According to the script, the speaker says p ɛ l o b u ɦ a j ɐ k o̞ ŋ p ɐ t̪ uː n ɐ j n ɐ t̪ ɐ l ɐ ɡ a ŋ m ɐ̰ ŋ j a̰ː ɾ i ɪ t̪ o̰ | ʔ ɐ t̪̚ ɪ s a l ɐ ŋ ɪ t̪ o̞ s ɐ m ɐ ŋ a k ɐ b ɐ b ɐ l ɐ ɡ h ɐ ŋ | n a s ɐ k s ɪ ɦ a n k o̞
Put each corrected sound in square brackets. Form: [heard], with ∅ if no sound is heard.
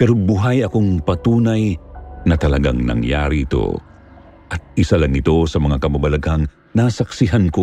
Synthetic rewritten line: p ɛ [ɾ] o b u ɦ a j ɐ k o̞ ŋ p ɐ t̪ uː n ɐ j n ɐ t̪ ɐ l ɐ ɡ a ŋ [n] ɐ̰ ŋ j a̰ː ɾ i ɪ t̪ o̰ | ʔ ɐ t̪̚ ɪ s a l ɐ ŋ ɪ t̪ o̞ s ɐ m ɐ ŋ a k ɐ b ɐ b ɐ l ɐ ɡ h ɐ ŋ | n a s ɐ k s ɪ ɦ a n k o̞